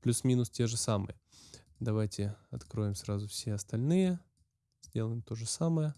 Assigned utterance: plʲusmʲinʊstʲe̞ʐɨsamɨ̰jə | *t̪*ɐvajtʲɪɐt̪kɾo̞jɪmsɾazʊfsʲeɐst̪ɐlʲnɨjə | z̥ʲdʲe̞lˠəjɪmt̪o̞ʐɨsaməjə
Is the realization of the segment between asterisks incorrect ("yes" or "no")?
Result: yes